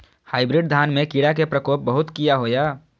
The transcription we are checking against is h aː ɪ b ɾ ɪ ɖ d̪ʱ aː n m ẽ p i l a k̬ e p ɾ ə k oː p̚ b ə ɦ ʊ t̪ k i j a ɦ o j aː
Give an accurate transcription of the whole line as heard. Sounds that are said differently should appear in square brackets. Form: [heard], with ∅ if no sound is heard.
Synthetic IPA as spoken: h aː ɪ b ɾ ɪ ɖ d̪ʱ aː n m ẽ [k] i [ɽ] a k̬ e p ɾ ə k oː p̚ b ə ɦ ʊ t̪ k i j a ɦ o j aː